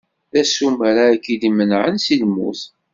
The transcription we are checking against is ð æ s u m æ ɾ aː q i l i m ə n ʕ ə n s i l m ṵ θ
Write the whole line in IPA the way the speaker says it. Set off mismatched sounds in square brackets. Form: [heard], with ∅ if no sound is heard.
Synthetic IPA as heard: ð æ s u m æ ɾ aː [k] i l i m ə n ʕ ə n s i l m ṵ θ